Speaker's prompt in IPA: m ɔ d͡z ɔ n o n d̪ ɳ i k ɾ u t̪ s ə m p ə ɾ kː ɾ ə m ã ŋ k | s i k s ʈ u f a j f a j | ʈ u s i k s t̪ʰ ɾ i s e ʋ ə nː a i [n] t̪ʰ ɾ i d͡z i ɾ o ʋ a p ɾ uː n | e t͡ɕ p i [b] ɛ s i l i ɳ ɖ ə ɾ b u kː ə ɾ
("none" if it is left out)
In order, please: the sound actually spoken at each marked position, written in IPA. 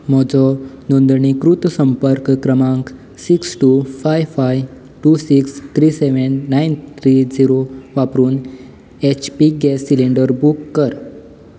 n, ɡ

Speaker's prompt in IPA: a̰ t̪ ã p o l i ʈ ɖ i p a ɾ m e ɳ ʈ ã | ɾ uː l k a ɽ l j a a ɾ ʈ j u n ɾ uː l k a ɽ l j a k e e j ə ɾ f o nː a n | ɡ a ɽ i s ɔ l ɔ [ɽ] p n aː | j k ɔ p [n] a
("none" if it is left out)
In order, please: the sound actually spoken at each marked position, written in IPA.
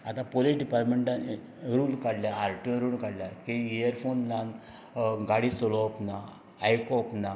none, n

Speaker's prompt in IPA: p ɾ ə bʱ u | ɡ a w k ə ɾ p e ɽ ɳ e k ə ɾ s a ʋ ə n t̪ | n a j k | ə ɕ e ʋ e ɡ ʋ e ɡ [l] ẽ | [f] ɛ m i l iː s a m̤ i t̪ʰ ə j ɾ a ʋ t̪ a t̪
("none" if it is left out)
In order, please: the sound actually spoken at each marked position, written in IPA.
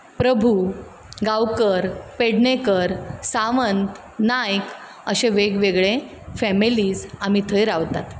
ɭ, f

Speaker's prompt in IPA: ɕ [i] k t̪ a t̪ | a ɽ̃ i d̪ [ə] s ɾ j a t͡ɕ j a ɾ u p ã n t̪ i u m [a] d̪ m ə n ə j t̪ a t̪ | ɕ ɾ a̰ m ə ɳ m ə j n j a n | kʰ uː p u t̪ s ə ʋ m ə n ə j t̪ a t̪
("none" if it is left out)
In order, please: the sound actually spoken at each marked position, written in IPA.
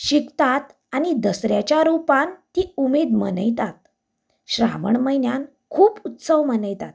i, ə, e

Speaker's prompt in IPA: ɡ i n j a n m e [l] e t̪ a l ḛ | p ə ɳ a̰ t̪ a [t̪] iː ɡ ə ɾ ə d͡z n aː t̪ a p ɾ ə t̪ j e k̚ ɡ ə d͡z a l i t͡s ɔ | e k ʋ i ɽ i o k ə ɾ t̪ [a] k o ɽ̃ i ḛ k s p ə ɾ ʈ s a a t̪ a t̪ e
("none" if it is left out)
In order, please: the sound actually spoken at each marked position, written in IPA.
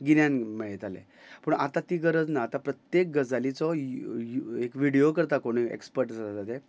ɭ, t̪, a

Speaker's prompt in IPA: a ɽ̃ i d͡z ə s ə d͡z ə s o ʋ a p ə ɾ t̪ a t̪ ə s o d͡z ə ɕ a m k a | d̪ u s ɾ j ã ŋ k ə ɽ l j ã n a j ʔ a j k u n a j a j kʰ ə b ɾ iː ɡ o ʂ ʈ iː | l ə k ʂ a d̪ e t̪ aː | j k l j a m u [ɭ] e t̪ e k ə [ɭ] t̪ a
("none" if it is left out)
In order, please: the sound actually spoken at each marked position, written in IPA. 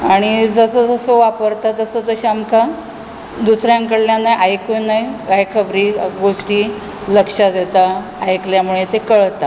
ɭ, ɭ

